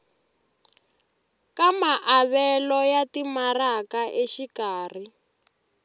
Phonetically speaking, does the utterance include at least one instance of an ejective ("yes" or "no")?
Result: no